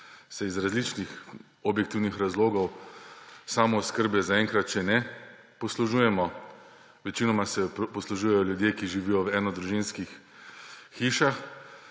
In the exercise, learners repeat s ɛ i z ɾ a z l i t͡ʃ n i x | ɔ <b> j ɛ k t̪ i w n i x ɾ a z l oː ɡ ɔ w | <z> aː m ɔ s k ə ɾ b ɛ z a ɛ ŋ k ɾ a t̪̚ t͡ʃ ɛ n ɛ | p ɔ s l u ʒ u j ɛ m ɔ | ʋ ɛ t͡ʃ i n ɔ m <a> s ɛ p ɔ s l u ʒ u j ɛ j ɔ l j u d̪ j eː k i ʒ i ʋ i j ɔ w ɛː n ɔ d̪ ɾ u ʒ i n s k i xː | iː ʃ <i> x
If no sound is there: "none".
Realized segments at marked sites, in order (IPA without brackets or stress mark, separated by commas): b, s, a, a